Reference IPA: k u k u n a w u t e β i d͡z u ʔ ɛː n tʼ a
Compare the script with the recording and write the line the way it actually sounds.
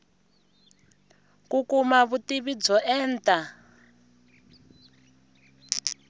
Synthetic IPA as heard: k u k u m a β u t i β i d͡z ɔ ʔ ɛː n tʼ a